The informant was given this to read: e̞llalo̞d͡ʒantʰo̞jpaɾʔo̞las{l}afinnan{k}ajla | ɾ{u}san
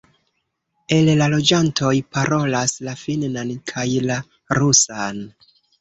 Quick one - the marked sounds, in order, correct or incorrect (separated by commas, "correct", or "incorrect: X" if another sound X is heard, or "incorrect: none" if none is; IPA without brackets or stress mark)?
correct, incorrect: kʰ, correct